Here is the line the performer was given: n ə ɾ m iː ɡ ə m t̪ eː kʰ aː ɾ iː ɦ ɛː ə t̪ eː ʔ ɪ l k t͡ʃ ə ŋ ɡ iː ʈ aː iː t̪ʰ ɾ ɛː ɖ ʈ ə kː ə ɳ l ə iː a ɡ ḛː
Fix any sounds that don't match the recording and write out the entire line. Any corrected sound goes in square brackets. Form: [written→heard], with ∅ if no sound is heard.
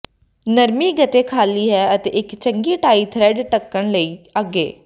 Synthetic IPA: n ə ɾ m iː ɡ ə [m→∅] t̪ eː kʰ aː [ɾ→l] iː ɦ ɛː ə t̪ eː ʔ ɪ [l→∅] k t͡ʃ ə ŋ ɡ iː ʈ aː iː t̪ʰ ɾ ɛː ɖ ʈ ə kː ə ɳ l ə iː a ɡ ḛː